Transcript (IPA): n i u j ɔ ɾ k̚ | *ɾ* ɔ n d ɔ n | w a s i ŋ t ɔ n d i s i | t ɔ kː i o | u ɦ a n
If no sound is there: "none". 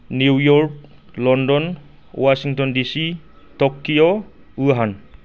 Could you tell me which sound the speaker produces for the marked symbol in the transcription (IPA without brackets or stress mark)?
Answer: l